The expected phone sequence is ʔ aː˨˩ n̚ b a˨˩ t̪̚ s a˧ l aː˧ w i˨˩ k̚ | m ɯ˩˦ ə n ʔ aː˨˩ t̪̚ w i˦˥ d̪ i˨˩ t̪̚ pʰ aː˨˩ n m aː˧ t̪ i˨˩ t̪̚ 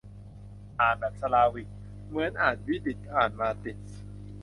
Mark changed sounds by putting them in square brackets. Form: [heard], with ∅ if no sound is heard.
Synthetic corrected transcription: ʔ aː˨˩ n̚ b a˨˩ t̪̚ s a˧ l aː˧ w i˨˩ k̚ | m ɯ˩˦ ə n ʔ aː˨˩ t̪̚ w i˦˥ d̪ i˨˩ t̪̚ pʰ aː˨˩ n m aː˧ t̪ i˨˩ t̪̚